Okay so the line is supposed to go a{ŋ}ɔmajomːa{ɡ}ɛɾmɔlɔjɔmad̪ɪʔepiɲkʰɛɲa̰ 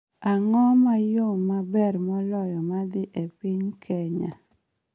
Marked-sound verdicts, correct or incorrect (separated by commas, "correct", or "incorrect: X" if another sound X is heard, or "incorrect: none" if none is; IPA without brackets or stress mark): correct, incorrect: b